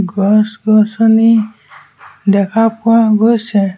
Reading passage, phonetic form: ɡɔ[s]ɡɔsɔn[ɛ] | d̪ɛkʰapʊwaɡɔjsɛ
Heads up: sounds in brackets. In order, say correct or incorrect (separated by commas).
correct, incorrect